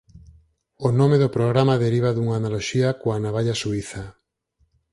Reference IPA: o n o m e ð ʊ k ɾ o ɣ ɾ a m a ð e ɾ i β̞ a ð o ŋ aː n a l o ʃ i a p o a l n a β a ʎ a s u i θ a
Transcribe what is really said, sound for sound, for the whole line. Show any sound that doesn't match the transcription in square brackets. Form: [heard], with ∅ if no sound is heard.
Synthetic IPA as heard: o n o m e ð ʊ [p] ɾ o ɣ ɾ a m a ð e ɾ i β̞ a ð [u] ŋ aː n a l o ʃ i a [k] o a [∅] n a β a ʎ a s u i θ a